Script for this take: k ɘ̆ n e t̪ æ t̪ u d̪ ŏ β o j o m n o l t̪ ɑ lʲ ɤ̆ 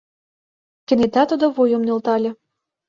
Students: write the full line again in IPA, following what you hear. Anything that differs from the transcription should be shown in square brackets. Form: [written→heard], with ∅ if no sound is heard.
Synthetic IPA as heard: k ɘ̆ n e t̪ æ t̪ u d̪ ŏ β o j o m n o l t̪ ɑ lʲ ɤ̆